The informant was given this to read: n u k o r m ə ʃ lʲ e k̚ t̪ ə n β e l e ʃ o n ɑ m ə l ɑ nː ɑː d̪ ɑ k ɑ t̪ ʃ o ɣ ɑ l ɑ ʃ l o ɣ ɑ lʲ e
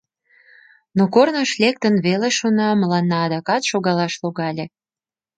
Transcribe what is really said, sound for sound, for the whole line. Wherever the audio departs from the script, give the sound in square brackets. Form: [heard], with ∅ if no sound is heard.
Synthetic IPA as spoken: n [o] k o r [n] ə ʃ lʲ e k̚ t̪ ə n β e l e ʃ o n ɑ m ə l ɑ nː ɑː d̪ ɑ k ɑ t̪ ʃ o ɣ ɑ l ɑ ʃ l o ɣ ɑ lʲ e